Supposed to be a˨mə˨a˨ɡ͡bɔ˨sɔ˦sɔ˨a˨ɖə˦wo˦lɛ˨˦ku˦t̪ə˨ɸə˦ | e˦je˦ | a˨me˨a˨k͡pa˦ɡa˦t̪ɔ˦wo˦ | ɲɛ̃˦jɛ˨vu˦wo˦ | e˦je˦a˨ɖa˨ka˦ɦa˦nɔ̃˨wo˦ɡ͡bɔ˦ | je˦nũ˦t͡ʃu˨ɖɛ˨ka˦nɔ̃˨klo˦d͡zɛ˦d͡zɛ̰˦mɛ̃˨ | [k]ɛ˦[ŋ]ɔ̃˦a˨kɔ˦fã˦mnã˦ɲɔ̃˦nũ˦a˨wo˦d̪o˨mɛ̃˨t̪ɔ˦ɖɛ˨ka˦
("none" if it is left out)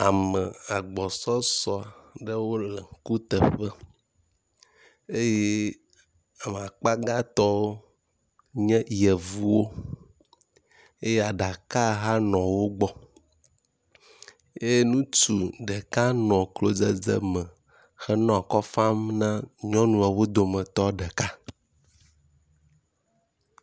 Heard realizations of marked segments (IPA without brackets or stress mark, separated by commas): x, n